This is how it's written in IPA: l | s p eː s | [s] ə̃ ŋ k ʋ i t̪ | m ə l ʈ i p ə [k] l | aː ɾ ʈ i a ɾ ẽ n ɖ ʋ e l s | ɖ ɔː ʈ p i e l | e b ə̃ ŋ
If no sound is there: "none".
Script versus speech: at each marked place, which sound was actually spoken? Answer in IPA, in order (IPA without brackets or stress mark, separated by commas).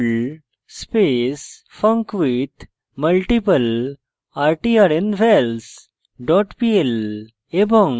f, none